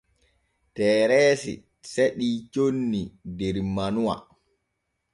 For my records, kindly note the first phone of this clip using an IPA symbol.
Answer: t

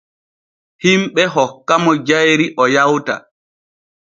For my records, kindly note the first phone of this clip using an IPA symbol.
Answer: h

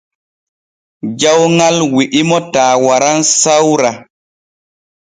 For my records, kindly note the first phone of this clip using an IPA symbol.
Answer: d͡ʒ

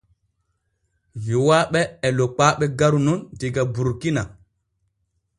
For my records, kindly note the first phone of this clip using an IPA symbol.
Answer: v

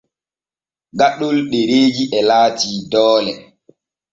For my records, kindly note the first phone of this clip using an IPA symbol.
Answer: ɡ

